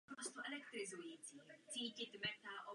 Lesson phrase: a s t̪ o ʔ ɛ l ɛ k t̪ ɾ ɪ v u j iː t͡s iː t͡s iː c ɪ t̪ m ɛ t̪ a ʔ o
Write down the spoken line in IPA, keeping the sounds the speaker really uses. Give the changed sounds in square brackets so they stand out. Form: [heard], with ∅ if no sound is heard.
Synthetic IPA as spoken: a s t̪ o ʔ ɛ l ɛ k t̪ ɾ ɪ [z] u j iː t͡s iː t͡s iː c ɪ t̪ m ɛ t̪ a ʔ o

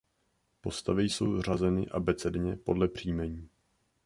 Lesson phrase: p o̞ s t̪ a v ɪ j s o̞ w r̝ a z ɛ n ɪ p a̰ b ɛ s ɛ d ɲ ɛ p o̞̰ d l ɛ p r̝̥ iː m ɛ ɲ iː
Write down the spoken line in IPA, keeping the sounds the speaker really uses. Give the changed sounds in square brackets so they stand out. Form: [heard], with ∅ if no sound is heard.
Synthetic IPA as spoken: p o̞ s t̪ a v ɪ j s o̞ w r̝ a z ɛ n ɪ [ʔ] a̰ b ɛ [t͡s] ɛ d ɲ ɛ p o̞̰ d l ɛ p r̝̥ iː m ɛ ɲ iː

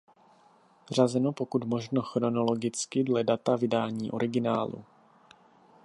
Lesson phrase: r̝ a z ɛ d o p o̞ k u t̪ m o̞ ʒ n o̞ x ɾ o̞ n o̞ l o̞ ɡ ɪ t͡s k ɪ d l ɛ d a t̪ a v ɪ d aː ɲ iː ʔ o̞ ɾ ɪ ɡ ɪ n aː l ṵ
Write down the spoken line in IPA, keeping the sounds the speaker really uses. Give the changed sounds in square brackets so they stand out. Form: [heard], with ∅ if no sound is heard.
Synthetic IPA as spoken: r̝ a z ɛ [n] o p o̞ k u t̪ m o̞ ʒ n o̞ x ɾ o̞ n o̞ l o̞ ɡ ɪ t͡s k ɪ d l ɛ d a t̪ a v ɪ d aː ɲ iː ʔ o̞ ɾ ɪ ɡ ɪ n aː l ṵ

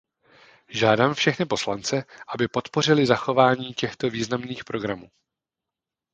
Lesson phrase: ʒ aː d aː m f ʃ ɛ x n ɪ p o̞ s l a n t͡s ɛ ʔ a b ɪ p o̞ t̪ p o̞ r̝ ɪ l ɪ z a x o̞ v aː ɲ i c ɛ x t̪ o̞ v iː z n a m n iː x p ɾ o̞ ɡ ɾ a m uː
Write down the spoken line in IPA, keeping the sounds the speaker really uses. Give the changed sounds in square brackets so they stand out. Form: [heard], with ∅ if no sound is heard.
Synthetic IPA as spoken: ʒ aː d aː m f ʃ ɛ x n ɪ p o̞ s l a n t͡s ɛ ʔ a b ɪ p o̞ t̪ p o̞ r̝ ɪ l ɪ z a x o̞ v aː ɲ [iː] c ɛ x t̪ o̞ v iː z n a m n iː x p ɾ o̞ ɡ ɾ a m uː

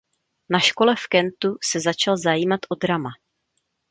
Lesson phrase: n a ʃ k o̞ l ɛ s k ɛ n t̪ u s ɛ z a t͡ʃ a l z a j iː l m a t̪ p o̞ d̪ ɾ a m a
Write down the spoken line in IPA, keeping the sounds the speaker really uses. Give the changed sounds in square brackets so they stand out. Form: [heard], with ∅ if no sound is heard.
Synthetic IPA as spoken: n a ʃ k o̞ l ɛ [f] k ɛ n t̪ u s ɛ z a t͡ʃ a l z a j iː [∅] m a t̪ [ʔ] o̞ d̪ ɾ a m a

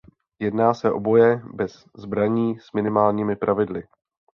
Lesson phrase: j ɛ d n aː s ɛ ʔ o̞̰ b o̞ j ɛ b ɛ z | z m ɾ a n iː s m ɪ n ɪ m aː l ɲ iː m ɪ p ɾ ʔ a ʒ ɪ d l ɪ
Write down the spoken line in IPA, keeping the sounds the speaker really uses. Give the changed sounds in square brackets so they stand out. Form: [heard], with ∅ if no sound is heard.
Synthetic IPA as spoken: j ɛ d n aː s ɛ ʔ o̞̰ b o̞ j ɛ b ɛ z | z [b] ɾ a [ɲ] iː s m ɪ n ɪ m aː l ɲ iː m ɪ p ɾ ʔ a [v] ɪ d l ɪ

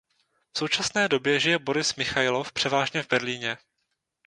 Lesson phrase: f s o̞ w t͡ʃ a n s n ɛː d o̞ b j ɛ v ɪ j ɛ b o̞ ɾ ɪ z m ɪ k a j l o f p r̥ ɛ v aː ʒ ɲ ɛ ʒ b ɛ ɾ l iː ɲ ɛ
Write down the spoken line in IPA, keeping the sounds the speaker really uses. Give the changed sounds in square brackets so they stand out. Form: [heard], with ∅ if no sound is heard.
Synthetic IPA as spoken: f s o̞ w t͡ʃ a [∅] s n ɛː d o̞ b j ɛ [ʒ] ɪ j ɛ b o̞ ɾ ɪ [s] m ɪ [x] a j l o f p r̥ ɛ v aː ʒ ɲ ɛ [v] b ɛ ɾ l iː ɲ ɛ

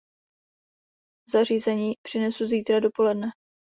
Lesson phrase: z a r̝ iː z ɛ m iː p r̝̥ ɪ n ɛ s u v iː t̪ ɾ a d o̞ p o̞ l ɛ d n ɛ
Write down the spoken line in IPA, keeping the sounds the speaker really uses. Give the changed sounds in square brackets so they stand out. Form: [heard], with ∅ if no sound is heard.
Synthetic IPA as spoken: z a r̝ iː z ɛ [ɲ] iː p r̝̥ ɪ n ɛ s u [z] iː t̪ ɾ a d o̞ p o̞ l ɛ d n ɛ

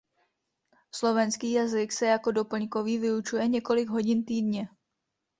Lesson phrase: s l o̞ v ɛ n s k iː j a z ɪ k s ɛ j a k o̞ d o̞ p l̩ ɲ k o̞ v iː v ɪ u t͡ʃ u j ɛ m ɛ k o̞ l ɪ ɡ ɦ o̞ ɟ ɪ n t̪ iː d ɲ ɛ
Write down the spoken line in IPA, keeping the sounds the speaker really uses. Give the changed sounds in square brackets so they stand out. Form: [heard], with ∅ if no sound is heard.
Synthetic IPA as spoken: s l o̞ v ɛ n s k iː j a z ɪ k s ɛ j a k o̞ d o̞ p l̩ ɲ k o̞ v iː v ɪ u t͡ʃ u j ɛ [ɲ] ɛ k o̞ l ɪ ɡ ɦ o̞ ɟ ɪ n t̪ iː d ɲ ɛ

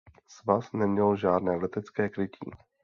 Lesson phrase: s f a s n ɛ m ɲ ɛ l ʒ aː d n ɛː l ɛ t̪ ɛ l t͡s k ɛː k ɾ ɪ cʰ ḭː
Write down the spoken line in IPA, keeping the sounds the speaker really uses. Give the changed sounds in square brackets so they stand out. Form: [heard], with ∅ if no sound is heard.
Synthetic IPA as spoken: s [v] a s n ɛ m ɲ ɛ l ʒ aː d n ɛː l ɛ t̪ ɛ [∅] t͡s k ɛː k ɾ ɪ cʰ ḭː

